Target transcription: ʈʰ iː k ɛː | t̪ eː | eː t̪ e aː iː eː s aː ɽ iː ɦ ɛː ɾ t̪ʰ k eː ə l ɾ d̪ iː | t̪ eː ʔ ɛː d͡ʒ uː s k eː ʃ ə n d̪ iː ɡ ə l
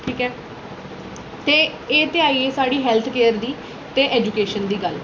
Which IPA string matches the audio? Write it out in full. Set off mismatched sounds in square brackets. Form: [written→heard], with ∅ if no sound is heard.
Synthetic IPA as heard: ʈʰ iː k ɛː | t̪ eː | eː t̪ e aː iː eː s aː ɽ iː ɦ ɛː [ɾ→l] t̪ʰ k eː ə [l→∅] ɾ d̪ iː | t̪ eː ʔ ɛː d͡ʒ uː [s→∅] k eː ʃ ə n d̪ iː ɡ ə l